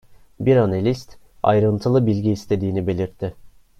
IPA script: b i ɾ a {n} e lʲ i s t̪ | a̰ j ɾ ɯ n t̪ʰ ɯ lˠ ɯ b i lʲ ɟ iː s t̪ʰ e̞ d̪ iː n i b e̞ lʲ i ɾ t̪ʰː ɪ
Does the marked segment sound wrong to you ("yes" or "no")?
no